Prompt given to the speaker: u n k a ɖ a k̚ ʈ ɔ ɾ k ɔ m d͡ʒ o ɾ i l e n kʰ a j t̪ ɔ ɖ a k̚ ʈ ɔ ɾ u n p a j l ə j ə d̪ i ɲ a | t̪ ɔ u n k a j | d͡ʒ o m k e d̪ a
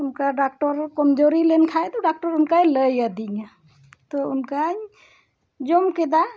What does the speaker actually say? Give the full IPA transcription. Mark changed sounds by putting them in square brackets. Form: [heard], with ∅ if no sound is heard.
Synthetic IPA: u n k a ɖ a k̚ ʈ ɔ ɾ k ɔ m d͡ʒ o ɾ i l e n kʰ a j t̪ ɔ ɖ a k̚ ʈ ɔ ɾ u n [k] a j l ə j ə d̪ i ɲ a | t̪ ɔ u n k a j | d͡ʒ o m k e d̪ a

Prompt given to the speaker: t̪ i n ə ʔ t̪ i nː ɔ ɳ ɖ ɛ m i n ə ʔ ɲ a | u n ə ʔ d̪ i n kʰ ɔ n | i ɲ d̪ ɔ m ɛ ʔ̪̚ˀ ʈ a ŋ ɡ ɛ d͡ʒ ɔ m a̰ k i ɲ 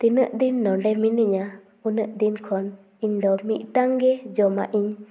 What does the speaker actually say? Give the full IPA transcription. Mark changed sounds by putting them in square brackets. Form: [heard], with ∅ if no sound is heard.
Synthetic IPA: t̪ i n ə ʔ [d̪] i nː ɔ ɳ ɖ ɛ m i n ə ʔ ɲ a | u n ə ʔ d̪ i n kʰ ɔ n | i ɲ d̪ ɔ m [i] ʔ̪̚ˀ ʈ a ŋ ɡ ɛ d͡ʒ ɔ m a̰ [ʔ] i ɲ

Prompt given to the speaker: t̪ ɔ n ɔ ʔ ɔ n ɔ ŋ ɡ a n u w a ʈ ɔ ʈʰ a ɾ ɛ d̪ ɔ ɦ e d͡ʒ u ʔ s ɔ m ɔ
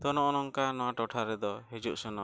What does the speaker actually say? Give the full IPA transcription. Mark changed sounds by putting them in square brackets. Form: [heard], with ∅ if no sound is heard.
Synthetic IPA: t̪ ɔ n ɔ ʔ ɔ n ɔ ŋ [k] a n [ɔ] w a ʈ ɔ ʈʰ a ɾ ɛ d̪ ɔ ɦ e d͡ʒ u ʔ s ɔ [n] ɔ

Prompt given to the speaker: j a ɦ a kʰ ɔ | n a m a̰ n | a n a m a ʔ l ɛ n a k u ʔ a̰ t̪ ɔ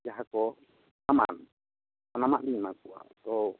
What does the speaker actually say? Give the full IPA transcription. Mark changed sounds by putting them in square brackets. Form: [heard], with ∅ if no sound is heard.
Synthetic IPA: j a ɦ a [k] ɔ | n a m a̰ n | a n a m a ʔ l [i] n a k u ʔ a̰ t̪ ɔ

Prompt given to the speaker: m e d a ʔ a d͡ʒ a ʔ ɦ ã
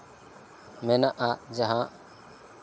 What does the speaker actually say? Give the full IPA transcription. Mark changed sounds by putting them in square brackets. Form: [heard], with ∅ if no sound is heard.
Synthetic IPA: m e [n] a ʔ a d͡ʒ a [∅] ɦ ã

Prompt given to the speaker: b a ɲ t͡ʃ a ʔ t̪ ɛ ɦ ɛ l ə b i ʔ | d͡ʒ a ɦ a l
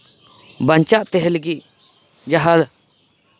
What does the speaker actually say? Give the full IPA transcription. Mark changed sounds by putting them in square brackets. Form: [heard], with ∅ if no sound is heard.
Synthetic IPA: b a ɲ t͡ʃ a ʔ t̪ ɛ ɦ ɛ l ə [ɡ] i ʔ | d͡ʒ a ɦ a l

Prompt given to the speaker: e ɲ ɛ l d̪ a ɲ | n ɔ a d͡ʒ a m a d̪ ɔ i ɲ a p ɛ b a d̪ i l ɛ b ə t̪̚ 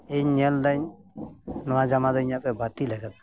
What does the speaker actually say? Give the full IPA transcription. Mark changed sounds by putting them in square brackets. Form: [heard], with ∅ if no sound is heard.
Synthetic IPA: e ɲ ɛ l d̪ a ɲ | n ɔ a d͡ʒ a m a d̪ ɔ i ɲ a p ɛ b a [t̪] i l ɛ [ɡ] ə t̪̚

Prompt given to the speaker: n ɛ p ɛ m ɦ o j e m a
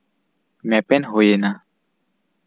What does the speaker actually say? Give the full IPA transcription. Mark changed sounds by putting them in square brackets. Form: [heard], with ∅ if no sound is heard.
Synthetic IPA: [m] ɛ p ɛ [n] ɦ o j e [n] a

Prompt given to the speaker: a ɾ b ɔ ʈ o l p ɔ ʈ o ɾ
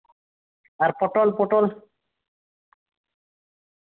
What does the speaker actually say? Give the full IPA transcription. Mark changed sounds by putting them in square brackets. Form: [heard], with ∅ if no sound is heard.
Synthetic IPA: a ɾ [p] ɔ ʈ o l p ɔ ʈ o [l]

